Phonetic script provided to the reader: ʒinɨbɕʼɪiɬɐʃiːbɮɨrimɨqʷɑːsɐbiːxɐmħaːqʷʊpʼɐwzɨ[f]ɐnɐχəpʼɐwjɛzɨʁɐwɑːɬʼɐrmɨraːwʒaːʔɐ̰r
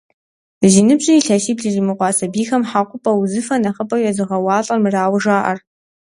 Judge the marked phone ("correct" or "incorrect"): correct